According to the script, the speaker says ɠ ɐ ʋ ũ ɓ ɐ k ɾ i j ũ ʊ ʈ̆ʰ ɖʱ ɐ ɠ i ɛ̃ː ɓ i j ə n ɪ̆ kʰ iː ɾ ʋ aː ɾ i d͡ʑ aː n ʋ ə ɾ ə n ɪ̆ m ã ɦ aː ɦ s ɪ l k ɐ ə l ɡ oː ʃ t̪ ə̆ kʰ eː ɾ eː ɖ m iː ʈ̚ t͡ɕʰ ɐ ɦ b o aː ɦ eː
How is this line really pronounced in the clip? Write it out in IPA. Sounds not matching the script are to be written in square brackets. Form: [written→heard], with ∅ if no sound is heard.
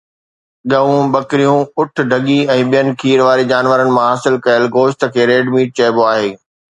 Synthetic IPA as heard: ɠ ɐ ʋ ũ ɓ ɐ k ɾ i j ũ ʊ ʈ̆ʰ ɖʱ ɐ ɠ i ɛ̃ː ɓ i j ə n ɪ̆ kʰ iː ɾ ʋ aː ɾ i d͡ʑ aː n ʋ ə ɾ ə n ɪ̆ m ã ɦ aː [ɦ→∅] s ɪ l k ɐ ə l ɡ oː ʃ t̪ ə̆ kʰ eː ɾ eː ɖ m iː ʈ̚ [t͡ɕʰ→t͡ɕ] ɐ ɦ b o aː ɦ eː